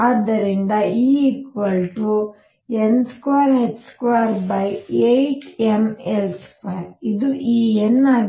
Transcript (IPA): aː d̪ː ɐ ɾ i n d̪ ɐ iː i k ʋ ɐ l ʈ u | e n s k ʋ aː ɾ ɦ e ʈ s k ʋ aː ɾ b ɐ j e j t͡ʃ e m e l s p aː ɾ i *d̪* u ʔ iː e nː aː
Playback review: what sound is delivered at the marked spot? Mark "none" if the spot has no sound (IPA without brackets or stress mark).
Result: d̪